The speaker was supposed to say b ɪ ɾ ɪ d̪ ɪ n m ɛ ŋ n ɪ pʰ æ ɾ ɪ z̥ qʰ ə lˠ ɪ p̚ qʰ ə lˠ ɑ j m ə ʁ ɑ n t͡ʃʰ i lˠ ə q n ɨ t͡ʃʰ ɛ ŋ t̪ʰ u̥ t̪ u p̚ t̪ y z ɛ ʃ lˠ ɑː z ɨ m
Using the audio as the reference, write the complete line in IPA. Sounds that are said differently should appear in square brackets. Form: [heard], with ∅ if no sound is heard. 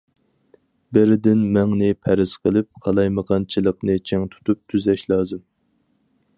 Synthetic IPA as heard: b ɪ ɾ ɪ d̪ ɪ n m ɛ ŋ n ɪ pʰ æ ɾ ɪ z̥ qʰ ə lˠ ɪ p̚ qʰ [ɑ] lˠ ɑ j m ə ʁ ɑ n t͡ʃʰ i lˠ ə q n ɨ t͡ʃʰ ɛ ŋ t̪ʰ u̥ t̪ u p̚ [t̪ʰ] y z ɛ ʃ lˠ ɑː z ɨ m